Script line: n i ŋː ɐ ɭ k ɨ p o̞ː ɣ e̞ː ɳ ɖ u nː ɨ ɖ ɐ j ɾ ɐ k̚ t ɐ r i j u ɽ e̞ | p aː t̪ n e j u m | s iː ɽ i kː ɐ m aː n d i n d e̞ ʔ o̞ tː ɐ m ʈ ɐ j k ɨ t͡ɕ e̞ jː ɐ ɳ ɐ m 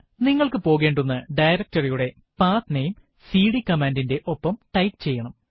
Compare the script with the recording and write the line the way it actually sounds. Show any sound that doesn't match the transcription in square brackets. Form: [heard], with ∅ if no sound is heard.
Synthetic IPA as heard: n i ŋː ɐ ɭ k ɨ p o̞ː ɣ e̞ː ɳ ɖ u nː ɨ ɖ ɐ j ɾ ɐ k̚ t ɐ r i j u ɽ e̞ | p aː t̪ n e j u m | s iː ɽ i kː ɐ m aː n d i n d e̞ ʔ o̞ [pː] ɐ m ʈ ɐ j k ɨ t͡ɕ e̞ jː ɐ ɳ ɐ m